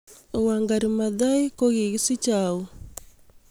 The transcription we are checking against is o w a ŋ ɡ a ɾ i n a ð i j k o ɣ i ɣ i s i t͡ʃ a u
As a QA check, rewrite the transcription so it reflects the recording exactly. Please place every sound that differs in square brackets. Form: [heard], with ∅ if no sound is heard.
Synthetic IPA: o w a ŋ ɡ a ɾ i [m] a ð [a] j k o ɣ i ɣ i s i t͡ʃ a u